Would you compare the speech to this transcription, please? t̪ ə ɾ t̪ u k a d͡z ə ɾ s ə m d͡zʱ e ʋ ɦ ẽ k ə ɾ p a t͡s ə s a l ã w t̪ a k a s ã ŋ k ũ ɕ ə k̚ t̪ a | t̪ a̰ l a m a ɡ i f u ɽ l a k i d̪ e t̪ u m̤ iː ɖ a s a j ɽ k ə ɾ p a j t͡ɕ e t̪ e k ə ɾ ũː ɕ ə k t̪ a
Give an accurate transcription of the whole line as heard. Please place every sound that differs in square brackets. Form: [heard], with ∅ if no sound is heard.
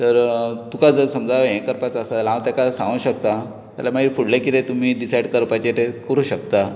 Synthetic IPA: t̪ ə ɾ t̪ u k a d͡z ə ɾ s ə m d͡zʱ [a] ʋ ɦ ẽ k ə ɾ p a t͡s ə s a l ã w t̪ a k a s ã ŋ [ɡ] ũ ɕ ə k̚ t̪ a | t̪ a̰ l a m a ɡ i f u ɽ l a k i [t̪] e t̪ u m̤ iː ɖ [i] s a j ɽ k ə ɾ p a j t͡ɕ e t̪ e k ə ɾ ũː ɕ ə k t̪ a